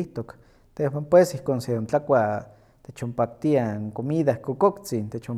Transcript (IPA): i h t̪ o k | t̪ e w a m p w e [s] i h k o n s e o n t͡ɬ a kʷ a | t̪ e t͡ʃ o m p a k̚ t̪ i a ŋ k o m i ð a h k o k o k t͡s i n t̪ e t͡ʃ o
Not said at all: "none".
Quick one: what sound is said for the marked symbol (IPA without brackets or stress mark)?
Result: s